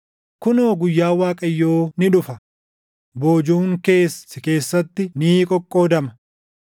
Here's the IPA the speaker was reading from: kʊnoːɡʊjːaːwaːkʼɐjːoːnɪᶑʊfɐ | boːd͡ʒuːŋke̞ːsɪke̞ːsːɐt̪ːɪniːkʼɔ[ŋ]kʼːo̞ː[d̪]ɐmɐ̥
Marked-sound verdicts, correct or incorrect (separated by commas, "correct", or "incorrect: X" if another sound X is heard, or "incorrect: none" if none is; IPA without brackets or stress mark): incorrect: none, correct